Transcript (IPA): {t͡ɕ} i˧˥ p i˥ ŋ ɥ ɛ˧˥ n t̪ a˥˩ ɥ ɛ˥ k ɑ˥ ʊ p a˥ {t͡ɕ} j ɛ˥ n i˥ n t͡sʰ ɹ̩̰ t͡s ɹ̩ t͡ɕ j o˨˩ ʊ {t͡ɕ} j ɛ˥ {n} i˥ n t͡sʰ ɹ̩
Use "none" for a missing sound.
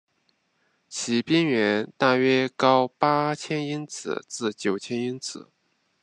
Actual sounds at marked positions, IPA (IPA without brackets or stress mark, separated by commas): t͡ɕʰ, t͡ɕʰ, t͡ɕʰ, n